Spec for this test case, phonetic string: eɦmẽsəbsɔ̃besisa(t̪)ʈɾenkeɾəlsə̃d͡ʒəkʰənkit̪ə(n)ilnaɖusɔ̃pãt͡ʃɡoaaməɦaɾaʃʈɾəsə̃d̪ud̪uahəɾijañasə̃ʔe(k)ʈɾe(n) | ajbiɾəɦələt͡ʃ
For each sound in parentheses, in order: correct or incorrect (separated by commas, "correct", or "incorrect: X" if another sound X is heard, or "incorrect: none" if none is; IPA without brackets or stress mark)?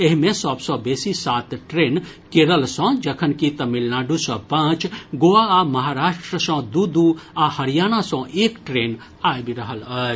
correct, incorrect: m, correct, correct